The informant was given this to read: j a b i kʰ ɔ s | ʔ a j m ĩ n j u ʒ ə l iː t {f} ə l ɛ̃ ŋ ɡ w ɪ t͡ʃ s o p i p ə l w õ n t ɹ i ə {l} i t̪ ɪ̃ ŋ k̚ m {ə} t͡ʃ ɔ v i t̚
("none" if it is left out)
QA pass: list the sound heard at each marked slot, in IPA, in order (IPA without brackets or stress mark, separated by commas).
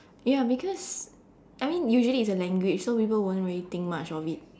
s, l, a